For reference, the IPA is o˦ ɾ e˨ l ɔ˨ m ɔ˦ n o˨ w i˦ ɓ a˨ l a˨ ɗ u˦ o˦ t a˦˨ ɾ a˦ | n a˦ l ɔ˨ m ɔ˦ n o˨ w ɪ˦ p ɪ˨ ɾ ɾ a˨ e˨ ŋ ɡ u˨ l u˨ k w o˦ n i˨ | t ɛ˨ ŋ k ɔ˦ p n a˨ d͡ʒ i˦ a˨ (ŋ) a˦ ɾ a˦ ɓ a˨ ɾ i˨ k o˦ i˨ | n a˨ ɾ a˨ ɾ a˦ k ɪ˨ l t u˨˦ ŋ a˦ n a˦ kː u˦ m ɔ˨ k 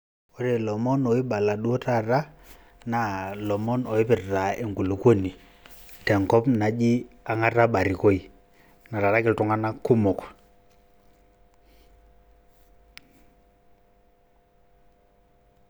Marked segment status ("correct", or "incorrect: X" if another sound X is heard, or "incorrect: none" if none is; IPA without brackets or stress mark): correct